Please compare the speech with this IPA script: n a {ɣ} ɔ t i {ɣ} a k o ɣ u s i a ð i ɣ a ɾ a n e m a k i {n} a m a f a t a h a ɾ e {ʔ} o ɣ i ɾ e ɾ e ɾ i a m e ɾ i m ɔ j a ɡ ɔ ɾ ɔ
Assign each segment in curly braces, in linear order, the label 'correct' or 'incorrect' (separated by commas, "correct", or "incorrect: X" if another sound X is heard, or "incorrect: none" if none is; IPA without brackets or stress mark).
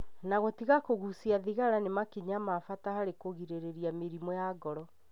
correct, correct, incorrect: ɲ, incorrect: k